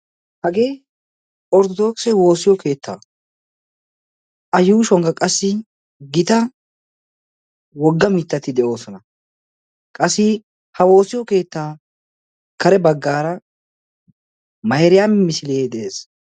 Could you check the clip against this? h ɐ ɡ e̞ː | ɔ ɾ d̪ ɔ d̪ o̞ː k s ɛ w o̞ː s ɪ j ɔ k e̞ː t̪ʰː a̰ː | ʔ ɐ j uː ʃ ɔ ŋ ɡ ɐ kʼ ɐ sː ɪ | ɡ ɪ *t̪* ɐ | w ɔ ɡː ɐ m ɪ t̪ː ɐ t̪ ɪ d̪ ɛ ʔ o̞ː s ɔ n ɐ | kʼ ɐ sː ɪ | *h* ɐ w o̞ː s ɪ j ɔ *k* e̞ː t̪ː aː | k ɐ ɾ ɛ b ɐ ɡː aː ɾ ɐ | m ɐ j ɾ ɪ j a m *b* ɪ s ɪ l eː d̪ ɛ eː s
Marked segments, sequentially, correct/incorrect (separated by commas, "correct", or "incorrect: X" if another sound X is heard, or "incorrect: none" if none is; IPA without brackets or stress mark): correct, correct, correct, incorrect: m